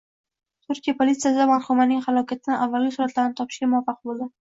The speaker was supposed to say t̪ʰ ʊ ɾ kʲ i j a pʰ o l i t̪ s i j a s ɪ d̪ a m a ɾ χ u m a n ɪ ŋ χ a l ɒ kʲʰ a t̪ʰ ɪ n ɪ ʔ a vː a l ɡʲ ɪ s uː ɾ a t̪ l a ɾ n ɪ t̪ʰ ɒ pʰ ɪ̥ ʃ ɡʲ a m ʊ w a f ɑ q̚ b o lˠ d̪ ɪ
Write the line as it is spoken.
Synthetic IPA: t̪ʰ ʊ ɾ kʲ i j a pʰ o l i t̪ s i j a s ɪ d̪ a m a ɾ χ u m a n ɪ ŋ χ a l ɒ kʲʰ a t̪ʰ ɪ n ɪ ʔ a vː a l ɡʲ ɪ s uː ɾ a t̪ l a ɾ n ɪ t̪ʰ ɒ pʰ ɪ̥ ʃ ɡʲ a m ʊ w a f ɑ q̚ b o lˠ d̪ ɪ

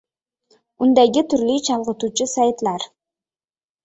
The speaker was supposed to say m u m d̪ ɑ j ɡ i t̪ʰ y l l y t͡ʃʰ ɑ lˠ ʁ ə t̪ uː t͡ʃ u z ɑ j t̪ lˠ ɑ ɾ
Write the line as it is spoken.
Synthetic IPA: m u n d̪ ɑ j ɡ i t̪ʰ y ɾ l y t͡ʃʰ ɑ lˠ ʁ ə t̪ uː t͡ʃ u s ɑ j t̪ lˠ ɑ ɾ

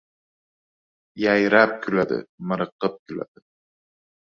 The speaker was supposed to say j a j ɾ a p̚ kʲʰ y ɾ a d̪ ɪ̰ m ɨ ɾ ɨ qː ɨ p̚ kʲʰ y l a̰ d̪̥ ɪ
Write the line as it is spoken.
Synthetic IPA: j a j ɾ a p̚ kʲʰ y l a d̪ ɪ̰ m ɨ ɾ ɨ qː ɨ p̚ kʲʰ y l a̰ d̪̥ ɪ

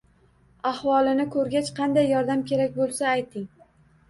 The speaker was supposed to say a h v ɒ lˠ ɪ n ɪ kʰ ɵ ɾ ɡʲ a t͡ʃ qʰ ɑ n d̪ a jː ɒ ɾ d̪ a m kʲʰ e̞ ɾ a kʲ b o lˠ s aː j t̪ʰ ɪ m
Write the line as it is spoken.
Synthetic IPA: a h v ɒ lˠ ɪ n ɪ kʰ ɵ ɾ ɡʲ a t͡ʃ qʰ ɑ n d̪ a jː ɒ ɾ d̪ a m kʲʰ e̞ ɾ a kʲ b o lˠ s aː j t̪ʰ ɪ ŋ

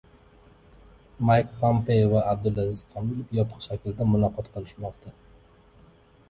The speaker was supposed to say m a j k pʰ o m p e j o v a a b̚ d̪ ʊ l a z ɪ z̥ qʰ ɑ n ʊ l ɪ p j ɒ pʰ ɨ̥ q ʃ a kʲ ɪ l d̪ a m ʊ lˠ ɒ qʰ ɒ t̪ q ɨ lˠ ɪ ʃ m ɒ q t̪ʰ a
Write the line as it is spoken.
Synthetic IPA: m a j k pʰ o m p e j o v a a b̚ d̪ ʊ l a z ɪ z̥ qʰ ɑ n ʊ l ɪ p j ɒ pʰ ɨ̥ q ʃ a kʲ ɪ l d̪ a m ʊ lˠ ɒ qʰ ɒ t̪ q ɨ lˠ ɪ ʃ m ɒ q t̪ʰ a

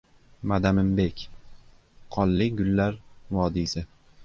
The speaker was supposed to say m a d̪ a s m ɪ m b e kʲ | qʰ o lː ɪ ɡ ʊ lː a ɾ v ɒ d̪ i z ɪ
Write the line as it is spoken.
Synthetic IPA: m a d̪ a m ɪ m b e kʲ | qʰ ɒ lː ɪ ɡ ʊ lː a ɾ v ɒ d̪ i s ɪ

